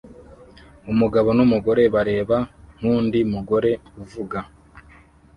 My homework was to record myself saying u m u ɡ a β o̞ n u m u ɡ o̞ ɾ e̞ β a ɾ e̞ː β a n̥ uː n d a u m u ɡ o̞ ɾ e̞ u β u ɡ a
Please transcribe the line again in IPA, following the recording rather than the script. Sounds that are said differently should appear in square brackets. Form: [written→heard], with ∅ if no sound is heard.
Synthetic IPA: u m u ɡ a β o̞ n u m u ɡ o̞ ɾ e̞ β a ɾ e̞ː β a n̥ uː n d [a→i] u m u ɡ o̞ ɾ e̞ u [β→v] u ɡ a

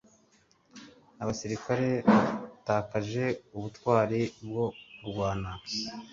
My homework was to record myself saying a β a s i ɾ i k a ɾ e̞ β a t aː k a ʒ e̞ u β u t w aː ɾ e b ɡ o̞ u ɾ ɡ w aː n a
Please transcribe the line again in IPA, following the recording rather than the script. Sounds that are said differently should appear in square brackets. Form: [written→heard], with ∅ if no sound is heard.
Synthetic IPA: a β a s i ɾ i k a ɾ e̞ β a t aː k a ʒ e̞ u β u t w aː ɾ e b ɡ o̞ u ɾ ɡ w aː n a

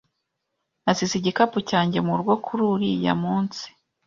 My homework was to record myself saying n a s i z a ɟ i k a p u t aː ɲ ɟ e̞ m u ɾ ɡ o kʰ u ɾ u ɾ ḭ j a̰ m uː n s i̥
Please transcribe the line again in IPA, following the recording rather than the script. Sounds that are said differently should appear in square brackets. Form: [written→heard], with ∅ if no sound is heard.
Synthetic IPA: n a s i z [a→i] ɟ i k a p u [t→c] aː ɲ ɟ e̞ m u ɾ ɡ o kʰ u ɾ u ɾ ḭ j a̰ m uː n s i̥

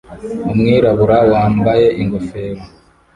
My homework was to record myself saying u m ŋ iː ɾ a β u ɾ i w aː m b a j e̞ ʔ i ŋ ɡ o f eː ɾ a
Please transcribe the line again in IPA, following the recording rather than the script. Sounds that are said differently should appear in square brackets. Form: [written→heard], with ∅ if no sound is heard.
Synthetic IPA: u m ŋ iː ɾ a β u ɾ [i→a] w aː m b a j e̞ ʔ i ŋ ɡ o f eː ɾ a

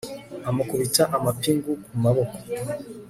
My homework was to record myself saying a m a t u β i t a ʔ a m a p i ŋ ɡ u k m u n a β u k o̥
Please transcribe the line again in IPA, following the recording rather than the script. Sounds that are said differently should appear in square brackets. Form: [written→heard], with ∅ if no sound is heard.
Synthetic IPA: a m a [t→k] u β i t a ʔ a m a p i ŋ ɡ u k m u [n→m] a β [u→o] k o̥

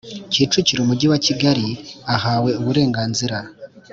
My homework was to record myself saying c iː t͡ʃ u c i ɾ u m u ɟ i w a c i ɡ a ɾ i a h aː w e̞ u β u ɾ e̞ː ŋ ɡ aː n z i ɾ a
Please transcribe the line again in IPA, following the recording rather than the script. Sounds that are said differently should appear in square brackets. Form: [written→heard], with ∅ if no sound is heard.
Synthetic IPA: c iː t͡ʃ u c i ɾ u m u ɟ i w a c i ɡ a ɾ i a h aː w e̞ u β u ɾ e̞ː ŋ ɡ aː n z i ɾ a

